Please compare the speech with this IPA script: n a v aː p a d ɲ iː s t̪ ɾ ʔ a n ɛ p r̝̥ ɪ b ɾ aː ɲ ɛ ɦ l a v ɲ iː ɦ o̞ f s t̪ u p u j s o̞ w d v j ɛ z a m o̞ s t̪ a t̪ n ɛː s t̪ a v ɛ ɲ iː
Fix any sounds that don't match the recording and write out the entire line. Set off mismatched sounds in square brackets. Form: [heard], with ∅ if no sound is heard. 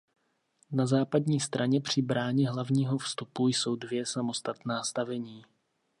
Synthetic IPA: n a [z] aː p a d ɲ iː s t̪ ɾ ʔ a [ɲ] ɛ p r̝̥ ɪ b ɾ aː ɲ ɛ ɦ l a v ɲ iː ɦ o̞ f s t̪ u p u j s o̞ w d v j ɛ [s] a m o̞ s t̪ a t̪ n [aː] s t̪ a v ɛ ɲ iː